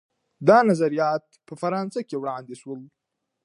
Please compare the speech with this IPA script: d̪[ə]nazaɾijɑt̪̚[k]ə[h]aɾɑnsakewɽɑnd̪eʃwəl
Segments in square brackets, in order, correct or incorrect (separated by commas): incorrect, incorrect, incorrect